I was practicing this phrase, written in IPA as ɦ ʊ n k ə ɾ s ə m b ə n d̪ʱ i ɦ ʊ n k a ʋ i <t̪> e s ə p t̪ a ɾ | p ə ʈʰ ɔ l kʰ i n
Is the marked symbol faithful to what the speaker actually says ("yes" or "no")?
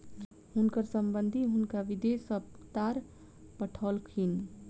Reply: no